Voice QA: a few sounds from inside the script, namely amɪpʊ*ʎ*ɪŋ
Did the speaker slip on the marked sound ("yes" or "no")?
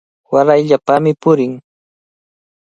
yes